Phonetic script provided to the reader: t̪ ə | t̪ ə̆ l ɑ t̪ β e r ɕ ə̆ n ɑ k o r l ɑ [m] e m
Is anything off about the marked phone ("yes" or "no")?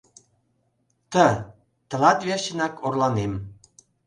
yes